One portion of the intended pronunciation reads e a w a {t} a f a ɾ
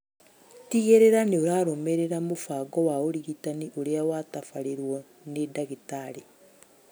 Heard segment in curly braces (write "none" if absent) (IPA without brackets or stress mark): t